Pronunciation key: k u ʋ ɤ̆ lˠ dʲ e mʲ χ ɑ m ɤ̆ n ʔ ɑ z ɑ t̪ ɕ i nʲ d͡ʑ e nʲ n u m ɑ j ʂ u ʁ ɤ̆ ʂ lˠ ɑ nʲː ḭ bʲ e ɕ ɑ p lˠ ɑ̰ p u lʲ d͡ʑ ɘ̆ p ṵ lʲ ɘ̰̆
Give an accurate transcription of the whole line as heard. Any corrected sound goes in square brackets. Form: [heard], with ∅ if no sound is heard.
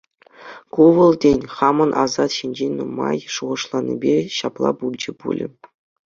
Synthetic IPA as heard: k u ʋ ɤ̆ lˠ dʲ e [nʲ] χ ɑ m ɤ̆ n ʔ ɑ z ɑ t̪ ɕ i nʲ d͡ʑ e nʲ n u m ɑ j ʂ u ʁ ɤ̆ ʂ lˠ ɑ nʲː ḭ bʲ e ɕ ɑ p lˠ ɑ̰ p u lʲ d͡ʑ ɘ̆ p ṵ lʲ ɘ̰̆